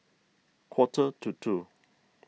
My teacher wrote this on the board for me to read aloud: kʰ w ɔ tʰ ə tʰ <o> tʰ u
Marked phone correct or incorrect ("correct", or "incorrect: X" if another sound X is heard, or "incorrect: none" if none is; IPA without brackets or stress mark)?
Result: incorrect: u